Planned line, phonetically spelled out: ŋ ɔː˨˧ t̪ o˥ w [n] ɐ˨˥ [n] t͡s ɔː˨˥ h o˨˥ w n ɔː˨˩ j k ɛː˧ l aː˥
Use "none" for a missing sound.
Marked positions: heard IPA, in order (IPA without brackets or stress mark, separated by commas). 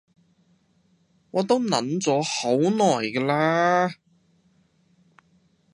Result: n, n